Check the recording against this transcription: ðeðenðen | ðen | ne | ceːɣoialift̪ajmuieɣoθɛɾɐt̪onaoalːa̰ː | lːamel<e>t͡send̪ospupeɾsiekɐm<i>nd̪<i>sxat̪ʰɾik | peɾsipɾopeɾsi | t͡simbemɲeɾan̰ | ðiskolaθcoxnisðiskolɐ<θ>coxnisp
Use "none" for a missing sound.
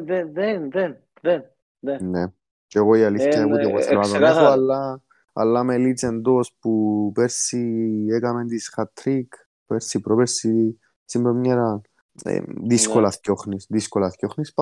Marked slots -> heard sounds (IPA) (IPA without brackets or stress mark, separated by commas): i, e, i, θ